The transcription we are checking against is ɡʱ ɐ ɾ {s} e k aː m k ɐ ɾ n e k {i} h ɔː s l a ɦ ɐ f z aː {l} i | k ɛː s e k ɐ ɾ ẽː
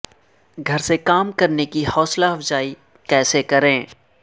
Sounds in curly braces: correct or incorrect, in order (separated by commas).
correct, correct, incorrect